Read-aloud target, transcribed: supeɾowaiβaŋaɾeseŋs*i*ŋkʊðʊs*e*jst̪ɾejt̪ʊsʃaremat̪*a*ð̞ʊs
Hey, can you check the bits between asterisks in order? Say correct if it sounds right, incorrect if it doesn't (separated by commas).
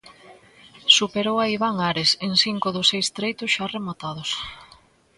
correct, correct, correct